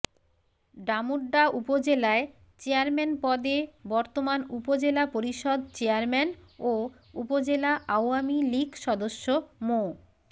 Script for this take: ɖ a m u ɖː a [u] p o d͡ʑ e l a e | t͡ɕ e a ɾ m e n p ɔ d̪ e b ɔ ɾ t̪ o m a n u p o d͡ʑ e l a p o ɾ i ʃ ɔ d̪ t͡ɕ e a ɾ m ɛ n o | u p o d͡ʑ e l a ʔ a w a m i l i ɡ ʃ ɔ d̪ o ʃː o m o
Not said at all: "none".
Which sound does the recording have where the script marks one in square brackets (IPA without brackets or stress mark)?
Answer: u